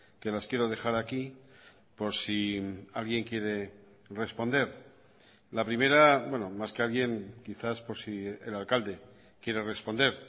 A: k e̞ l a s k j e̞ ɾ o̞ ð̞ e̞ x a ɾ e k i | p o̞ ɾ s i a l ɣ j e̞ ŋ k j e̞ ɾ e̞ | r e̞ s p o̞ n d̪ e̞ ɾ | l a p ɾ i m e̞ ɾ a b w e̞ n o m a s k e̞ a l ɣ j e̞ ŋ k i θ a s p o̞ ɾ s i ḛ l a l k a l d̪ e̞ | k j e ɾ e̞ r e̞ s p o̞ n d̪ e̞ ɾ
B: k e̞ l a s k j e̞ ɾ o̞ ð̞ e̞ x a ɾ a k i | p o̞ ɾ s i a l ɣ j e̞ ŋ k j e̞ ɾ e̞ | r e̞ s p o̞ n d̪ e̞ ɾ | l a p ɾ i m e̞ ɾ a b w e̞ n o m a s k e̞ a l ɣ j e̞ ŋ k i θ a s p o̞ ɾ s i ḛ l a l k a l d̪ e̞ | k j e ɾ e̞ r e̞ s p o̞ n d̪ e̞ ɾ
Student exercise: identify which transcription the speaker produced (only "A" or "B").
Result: B